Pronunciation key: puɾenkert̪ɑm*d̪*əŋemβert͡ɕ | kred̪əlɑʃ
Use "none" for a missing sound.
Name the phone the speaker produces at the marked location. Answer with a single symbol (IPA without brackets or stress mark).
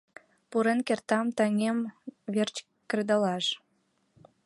t̪